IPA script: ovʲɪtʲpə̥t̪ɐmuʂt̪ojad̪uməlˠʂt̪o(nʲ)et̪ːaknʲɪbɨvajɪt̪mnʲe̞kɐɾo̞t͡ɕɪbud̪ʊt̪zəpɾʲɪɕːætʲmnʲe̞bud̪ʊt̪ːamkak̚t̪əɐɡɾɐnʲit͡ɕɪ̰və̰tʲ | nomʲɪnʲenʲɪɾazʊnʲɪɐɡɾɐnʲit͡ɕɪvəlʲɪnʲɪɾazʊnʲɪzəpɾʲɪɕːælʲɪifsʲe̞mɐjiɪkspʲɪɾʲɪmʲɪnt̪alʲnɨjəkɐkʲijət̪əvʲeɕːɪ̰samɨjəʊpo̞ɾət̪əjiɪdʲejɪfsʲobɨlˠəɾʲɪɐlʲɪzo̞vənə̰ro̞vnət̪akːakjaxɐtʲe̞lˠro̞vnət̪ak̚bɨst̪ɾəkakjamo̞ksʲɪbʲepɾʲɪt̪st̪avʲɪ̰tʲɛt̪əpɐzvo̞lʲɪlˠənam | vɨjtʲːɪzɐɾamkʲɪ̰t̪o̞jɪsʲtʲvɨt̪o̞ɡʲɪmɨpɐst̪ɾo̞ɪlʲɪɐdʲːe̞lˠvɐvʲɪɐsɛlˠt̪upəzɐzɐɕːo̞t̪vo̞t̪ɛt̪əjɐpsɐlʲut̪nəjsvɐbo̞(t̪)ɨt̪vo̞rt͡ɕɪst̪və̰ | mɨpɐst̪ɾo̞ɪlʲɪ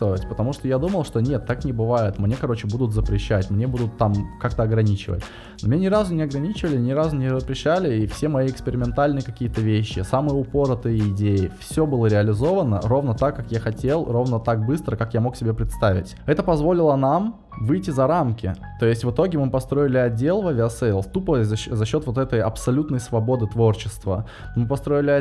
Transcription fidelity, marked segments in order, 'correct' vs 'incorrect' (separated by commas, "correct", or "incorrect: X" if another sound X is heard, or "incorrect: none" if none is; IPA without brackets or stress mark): correct, incorrect: d̪